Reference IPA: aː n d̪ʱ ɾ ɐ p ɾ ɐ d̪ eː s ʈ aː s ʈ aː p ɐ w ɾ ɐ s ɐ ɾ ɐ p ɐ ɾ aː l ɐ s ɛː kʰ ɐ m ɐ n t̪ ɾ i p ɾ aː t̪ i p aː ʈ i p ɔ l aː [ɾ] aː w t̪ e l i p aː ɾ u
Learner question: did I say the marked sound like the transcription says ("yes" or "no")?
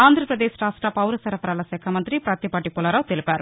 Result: yes